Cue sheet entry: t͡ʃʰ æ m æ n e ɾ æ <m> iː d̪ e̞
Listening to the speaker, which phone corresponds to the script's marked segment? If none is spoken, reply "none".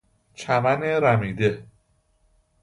m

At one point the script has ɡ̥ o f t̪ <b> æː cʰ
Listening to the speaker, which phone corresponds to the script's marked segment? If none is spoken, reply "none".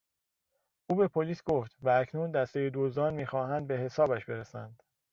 v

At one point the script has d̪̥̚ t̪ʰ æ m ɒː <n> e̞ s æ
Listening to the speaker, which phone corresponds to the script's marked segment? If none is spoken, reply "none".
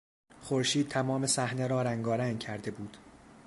m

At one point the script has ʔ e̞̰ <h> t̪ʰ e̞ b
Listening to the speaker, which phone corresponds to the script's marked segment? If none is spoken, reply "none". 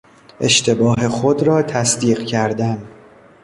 ʃ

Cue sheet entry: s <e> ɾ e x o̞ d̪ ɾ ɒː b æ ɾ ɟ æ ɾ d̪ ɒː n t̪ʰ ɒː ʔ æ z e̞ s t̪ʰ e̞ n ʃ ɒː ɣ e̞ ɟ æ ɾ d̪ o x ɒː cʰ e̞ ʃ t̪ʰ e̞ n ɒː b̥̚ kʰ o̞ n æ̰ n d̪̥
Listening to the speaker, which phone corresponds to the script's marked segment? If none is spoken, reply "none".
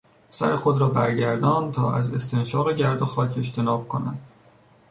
æ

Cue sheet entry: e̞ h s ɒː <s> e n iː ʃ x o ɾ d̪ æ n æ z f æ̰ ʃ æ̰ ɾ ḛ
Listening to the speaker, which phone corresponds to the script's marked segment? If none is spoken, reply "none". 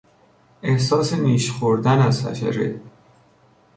s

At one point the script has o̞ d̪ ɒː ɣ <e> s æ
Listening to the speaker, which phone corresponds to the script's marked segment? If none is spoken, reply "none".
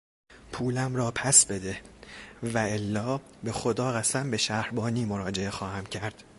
æ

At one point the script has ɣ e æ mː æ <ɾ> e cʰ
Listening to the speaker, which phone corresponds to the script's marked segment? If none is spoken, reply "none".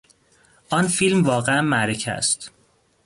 ɾ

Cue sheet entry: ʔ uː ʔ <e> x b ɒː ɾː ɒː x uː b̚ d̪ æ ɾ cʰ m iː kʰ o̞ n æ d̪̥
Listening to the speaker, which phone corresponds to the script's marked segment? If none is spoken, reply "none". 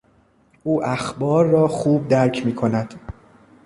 æ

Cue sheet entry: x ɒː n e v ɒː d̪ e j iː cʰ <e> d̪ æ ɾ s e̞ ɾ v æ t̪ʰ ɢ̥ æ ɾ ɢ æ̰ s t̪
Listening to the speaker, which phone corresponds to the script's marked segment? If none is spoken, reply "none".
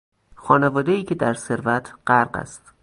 e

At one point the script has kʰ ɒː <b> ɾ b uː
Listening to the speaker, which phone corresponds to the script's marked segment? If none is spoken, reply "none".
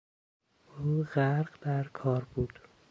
none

